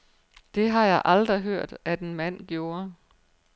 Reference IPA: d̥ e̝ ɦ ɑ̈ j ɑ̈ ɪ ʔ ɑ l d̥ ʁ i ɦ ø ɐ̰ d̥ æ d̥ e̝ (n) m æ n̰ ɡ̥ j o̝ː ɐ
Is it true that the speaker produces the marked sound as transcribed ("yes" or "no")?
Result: yes